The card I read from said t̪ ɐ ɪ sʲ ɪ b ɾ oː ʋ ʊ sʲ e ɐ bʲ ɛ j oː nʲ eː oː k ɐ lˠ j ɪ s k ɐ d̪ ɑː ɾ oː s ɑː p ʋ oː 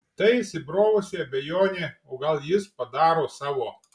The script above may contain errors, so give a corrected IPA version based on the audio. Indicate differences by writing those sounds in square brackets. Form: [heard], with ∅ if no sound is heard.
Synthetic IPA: t̪ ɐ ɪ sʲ ɪ b ɾ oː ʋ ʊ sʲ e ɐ bʲ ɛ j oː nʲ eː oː [ɡ] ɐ lˠ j ɪ s [p] ɐ d̪ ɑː ɾ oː s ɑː [∅] ʋ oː